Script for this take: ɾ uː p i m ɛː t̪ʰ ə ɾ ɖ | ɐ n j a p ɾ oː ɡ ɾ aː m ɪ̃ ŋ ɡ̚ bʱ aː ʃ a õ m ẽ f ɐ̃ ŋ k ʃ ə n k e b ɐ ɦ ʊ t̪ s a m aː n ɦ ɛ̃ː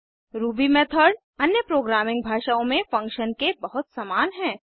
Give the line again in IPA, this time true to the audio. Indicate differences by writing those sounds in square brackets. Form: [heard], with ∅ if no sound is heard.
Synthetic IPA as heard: ɾ uː [b] i m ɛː t̪ʰ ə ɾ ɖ | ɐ n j [ə] p ɾ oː ɡ ɾ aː m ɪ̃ ŋ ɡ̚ bʱ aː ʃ a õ m ẽ f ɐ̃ ŋ k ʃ ə n k e b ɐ ɦ ʊ t̪ s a m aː n ɦ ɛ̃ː